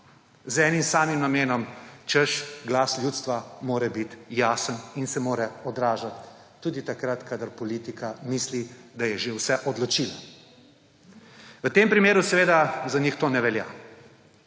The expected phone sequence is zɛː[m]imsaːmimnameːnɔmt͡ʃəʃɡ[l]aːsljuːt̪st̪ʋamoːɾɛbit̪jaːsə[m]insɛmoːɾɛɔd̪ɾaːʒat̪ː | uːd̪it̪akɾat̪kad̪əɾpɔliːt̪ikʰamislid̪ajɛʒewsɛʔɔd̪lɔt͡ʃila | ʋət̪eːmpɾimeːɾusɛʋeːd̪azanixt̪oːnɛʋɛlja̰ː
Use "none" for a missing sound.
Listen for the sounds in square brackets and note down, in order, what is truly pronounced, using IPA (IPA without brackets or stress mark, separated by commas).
n, l, n